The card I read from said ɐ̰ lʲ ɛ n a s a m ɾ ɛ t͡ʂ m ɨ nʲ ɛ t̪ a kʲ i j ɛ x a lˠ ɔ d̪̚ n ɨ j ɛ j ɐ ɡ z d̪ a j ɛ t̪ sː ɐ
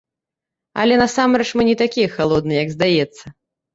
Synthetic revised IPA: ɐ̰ lʲ ɛ n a s a m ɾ ɛ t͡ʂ m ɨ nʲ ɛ t̪ a kʲ i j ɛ x a lˠ ɔ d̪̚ n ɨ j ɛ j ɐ ɡ z d̪ a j ɛ t̪ sː ɐ